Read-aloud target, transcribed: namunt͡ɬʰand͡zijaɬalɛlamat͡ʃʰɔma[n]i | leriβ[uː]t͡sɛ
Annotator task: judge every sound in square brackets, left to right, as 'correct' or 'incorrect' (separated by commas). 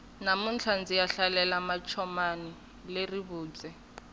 correct, correct